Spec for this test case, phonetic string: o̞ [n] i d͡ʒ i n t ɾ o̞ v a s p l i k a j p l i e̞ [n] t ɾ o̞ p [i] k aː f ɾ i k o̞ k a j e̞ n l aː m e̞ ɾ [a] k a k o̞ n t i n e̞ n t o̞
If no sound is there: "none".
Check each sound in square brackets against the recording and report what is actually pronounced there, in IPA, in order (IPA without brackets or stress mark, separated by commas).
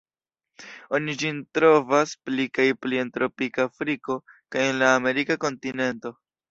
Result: n, n, i, i